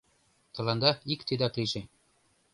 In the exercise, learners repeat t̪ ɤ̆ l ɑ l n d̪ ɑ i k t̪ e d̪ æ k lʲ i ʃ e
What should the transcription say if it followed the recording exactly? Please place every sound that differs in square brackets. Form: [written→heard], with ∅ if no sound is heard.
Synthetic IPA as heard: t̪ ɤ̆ l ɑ [l→∅] n d̪ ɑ i k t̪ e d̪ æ k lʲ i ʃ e